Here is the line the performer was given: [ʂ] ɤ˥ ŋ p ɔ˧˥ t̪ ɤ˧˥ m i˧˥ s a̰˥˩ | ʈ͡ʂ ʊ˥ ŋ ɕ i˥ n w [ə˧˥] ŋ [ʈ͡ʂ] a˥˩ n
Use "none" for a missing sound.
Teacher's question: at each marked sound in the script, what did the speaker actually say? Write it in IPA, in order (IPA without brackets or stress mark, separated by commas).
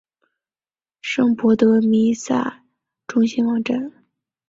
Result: ʂ, ɑ˧˥, ʈ͡ʂ